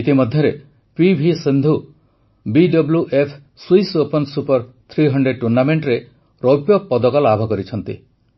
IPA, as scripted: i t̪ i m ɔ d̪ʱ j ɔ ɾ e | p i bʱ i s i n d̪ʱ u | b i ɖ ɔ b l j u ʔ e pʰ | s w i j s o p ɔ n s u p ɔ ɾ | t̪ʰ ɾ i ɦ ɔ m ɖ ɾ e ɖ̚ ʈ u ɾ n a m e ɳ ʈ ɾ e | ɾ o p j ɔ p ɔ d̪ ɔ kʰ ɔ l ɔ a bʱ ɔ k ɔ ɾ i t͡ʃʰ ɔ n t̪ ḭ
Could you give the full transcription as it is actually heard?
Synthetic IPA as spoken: i t̪ i m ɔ d̪ʱ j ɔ ɾ e | p i bʱ i s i n d̪ʱ u | b i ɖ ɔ b l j u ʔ e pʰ | s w i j s o p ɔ n s u p ɔ ɾ | t̪ʰ ɾ i ɦ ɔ ɳ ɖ ɾ e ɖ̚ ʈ u ɾ n a m e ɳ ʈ ɾ e | ɾ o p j ɔ p ɔ d̪ ɔ k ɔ l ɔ a bʱ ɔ k ɔ ɾ i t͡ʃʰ ɔ n t̪ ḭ